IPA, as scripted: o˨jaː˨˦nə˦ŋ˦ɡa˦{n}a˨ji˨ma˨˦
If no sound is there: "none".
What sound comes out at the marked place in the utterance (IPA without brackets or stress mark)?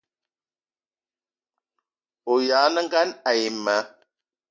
n